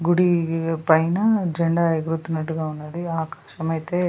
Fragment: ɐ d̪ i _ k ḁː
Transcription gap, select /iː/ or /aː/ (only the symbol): aː